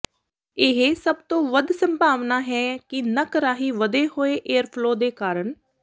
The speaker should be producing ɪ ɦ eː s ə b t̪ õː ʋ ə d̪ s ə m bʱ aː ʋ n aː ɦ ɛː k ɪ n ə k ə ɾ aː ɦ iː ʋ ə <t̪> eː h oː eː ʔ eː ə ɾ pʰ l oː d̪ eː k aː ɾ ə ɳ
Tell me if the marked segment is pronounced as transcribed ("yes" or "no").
no